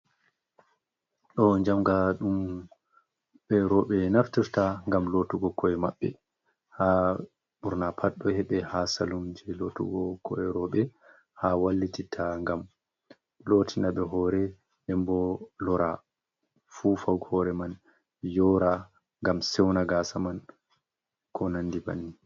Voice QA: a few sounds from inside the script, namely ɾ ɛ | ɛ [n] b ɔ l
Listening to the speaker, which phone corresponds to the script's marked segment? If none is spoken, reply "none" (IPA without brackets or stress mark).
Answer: m